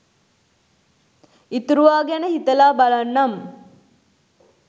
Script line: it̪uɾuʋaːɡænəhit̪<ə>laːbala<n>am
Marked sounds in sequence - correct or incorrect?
correct, incorrect: nː

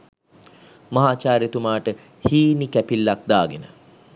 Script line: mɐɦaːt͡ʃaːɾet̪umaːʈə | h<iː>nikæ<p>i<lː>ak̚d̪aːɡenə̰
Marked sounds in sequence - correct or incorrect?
correct, correct, correct

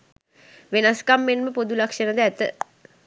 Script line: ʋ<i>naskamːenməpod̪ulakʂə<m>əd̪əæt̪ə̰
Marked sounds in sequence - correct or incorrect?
incorrect: e, incorrect: n

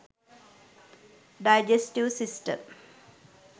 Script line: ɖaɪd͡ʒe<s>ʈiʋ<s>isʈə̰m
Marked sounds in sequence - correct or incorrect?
correct, correct

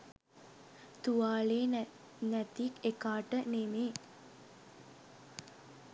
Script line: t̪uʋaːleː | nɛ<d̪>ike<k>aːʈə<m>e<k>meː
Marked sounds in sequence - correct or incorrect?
incorrect: t̪, correct, incorrect: n, incorrect: none

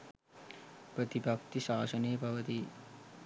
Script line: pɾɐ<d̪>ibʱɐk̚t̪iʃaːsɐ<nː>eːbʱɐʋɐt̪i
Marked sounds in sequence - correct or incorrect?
incorrect: t̪, incorrect: n

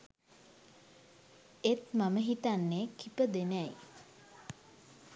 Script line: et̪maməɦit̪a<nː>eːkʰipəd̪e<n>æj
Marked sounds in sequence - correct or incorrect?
correct, correct

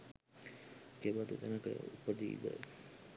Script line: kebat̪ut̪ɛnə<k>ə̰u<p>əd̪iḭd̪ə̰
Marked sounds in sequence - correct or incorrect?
correct, correct

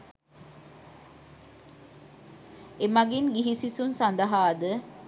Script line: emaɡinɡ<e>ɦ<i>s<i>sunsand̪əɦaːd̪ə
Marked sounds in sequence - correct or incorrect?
incorrect: i, correct, correct

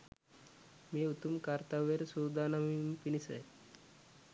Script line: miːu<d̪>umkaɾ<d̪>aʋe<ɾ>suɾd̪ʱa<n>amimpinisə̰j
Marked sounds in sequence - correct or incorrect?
incorrect: t̪, incorrect: t̪, correct, correct

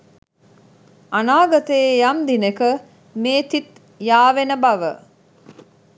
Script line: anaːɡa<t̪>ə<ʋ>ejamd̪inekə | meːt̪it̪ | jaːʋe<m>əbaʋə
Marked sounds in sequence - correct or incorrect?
correct, incorrect: none, incorrect: n

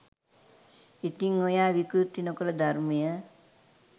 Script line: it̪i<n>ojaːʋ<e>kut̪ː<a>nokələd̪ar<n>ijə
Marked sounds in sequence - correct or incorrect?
incorrect: ŋ, incorrect: i, incorrect: i, incorrect: m

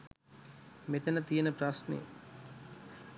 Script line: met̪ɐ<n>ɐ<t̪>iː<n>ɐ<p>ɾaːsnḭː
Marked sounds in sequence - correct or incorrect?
correct, correct, correct, correct

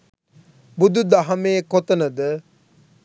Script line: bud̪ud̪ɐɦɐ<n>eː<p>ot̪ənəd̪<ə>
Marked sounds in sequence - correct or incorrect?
incorrect: m, incorrect: k, correct

